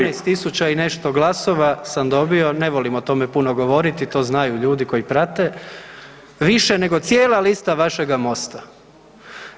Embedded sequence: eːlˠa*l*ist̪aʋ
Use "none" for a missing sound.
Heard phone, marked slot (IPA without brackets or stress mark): l